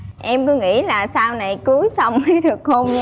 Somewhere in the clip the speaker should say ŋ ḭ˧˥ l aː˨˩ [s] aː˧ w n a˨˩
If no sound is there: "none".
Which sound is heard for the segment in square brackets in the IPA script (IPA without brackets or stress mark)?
s